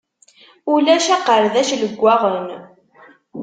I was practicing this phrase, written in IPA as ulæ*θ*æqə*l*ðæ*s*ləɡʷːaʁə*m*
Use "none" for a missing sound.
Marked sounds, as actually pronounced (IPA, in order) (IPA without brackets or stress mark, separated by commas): ʃ, ɾ, ʃ, n